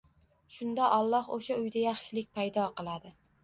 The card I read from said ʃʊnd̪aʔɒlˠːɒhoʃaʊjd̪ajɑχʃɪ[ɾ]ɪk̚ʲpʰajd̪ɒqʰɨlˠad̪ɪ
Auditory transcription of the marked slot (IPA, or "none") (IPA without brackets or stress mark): l